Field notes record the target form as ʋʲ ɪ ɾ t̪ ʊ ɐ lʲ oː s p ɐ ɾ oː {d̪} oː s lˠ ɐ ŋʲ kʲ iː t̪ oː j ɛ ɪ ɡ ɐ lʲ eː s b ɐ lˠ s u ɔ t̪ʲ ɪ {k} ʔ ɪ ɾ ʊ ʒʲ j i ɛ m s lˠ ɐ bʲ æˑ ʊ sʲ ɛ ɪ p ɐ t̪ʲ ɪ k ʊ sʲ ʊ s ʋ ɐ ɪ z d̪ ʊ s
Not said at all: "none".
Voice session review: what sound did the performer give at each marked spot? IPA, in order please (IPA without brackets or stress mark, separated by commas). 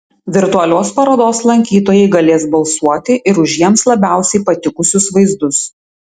d̪, none